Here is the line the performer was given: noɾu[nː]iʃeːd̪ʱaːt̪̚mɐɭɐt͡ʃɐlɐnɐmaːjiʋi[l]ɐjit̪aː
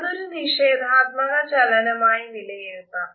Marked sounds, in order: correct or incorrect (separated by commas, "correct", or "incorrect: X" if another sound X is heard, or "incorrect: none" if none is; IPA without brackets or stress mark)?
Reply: incorrect: n, correct